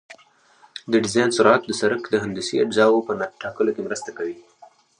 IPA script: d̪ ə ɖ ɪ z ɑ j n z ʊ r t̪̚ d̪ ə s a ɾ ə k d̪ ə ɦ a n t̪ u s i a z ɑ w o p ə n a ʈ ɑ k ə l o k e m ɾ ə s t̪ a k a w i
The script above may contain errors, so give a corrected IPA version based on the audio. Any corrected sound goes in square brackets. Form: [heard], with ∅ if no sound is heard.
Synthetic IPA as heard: d̪ ə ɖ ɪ z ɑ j n [s] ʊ [ɾ] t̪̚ d̪ ə s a ɾ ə k d̪ ə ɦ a n [d̪] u s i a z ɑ w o p ə n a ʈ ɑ k ə l o k e m ɾ ə s t̪ a k a w i